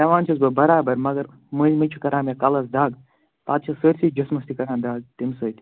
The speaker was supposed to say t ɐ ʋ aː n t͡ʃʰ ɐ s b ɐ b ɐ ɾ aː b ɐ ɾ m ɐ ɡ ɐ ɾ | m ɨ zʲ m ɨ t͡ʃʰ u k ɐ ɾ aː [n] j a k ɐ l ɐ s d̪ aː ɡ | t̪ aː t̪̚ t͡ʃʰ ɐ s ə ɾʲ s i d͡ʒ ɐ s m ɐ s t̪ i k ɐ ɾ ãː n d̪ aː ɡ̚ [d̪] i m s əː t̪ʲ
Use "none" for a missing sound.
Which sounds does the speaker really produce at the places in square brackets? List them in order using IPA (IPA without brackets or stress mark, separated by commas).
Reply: m, t̪